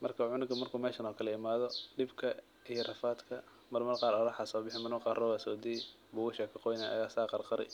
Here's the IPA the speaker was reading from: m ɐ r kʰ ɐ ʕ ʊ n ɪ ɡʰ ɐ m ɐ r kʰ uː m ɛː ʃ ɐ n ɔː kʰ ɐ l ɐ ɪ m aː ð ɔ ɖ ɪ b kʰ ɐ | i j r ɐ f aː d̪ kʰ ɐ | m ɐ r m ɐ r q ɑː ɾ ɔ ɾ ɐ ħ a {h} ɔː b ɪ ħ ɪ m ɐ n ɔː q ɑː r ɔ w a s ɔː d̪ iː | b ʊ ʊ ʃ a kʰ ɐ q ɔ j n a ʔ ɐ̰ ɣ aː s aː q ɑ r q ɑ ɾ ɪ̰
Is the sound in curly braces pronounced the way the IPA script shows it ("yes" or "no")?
no